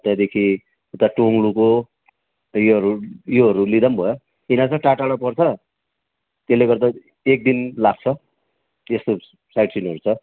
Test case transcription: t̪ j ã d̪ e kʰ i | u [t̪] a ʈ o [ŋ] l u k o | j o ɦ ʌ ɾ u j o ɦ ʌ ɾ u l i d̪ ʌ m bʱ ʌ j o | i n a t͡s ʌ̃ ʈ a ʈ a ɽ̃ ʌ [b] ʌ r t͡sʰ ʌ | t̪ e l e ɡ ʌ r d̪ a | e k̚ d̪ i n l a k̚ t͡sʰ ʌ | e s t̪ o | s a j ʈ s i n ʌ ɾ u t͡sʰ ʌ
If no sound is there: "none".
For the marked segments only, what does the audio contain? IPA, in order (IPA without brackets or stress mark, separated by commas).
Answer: t̪, ŋ, p